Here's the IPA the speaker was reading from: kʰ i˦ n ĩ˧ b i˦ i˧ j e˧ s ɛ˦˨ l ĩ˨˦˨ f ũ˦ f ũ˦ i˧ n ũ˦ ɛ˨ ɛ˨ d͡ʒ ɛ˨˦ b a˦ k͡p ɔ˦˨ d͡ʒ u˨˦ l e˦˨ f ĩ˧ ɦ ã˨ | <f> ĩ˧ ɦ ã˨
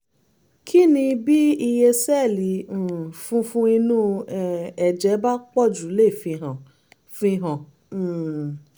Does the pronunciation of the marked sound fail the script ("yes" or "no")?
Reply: no